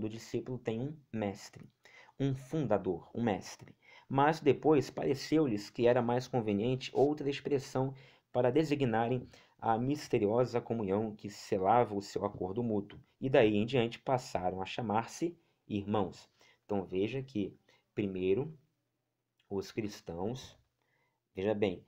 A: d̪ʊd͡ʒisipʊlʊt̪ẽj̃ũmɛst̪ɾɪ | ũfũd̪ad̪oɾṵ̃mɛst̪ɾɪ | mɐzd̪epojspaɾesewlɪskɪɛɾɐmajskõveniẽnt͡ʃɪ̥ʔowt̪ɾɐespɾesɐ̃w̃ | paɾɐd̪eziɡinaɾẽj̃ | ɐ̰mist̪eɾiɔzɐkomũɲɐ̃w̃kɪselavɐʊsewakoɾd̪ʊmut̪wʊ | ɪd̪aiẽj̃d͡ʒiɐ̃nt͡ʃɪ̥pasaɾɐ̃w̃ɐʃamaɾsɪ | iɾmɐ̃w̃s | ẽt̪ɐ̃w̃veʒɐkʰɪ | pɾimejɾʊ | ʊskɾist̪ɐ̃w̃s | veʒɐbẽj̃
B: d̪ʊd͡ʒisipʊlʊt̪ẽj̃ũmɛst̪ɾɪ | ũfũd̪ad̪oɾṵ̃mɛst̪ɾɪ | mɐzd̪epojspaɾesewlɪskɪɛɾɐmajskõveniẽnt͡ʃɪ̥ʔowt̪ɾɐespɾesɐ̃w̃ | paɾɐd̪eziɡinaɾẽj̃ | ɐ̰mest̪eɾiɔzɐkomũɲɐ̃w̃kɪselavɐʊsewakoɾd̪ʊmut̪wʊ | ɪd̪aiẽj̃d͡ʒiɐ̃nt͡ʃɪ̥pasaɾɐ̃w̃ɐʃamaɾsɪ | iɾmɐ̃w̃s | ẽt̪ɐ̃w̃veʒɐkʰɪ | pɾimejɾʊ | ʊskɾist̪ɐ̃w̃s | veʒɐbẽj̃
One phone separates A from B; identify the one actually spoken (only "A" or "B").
A